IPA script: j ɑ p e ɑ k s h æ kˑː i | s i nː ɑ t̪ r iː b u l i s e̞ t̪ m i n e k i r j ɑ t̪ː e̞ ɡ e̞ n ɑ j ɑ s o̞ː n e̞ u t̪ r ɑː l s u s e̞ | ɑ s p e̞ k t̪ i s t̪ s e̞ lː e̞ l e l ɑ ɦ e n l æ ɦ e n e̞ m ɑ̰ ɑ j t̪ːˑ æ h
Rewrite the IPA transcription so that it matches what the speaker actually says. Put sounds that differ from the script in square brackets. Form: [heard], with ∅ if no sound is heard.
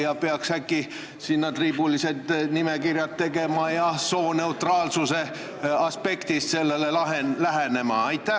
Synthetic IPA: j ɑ p e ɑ k s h æ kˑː i | s i nː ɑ t̪ r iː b u l i s e̞ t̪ [n] i [m] e k i r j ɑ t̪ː e̞ ɡ e̞ [m] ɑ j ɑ s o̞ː n e̞ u t̪ r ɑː l s u s e̞ | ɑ s p e̞ k t̪ i s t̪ s e̞ lː e̞ l e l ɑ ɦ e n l æ ɦ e n e̞ m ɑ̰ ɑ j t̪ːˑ æ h